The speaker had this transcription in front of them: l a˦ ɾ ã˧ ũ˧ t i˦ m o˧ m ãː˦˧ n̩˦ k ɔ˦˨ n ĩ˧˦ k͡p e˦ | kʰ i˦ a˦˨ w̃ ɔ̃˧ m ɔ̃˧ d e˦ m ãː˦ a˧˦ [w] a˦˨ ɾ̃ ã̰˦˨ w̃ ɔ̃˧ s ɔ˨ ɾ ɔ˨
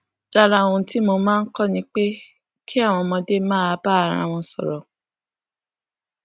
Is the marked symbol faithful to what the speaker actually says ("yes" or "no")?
no